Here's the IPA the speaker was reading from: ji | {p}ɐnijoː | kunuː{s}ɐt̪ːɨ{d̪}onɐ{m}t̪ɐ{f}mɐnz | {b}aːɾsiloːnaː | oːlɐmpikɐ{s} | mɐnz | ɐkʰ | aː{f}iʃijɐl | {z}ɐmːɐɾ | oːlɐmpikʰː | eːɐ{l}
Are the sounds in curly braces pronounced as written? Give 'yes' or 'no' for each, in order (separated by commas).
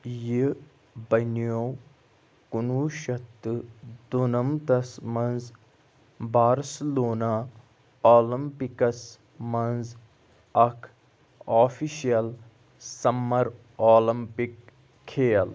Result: no, no, yes, yes, no, yes, yes, yes, no, yes